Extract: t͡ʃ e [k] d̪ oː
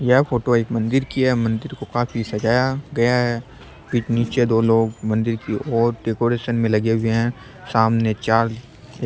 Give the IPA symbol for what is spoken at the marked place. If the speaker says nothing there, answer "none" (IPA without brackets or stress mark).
none